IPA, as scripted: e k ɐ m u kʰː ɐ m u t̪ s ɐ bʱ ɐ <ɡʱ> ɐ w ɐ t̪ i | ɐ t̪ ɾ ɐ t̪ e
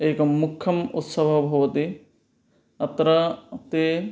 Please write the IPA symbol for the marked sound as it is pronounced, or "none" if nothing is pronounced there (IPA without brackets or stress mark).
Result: bʱ